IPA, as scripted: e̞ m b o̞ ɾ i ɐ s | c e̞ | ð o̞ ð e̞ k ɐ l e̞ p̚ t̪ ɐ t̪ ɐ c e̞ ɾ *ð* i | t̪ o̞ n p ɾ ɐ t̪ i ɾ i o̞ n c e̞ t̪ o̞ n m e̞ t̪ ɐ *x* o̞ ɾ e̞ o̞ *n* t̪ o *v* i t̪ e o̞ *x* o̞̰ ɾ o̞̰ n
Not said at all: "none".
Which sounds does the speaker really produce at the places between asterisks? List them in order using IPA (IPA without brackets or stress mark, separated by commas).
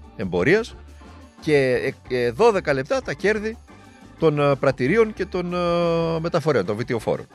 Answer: ð, f, n, v, f